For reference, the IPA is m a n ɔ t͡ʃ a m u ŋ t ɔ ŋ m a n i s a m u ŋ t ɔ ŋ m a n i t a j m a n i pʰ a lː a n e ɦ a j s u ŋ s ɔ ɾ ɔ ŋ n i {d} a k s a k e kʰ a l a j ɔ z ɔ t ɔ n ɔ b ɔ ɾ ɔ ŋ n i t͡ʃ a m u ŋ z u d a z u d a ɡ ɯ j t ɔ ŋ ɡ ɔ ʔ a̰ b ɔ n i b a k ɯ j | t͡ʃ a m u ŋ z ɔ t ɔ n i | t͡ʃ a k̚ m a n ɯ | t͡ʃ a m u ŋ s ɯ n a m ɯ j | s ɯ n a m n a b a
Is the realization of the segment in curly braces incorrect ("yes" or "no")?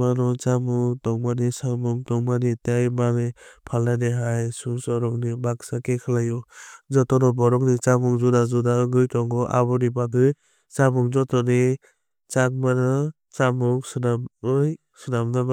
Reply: yes